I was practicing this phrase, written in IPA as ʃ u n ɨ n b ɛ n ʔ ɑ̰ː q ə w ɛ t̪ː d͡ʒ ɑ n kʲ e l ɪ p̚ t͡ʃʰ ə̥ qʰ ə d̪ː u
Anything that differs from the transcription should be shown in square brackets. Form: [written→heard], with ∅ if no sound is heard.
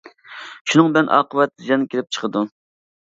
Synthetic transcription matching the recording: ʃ u n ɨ [n→ŋ] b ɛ n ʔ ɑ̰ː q ə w ɛ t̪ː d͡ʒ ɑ n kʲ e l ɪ p̚ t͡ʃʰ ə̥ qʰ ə [d̪ː→d̪] u